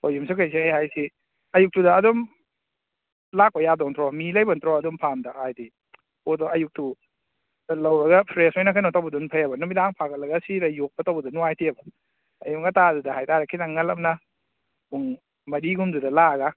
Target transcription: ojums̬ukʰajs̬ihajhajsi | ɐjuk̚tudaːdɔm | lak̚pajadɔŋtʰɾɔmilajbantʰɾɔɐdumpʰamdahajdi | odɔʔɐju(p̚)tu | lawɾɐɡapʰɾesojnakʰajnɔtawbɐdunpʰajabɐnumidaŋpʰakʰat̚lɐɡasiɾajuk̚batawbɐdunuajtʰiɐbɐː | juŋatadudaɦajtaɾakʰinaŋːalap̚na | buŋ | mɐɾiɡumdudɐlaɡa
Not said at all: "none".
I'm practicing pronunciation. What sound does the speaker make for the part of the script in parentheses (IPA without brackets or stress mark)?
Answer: k̚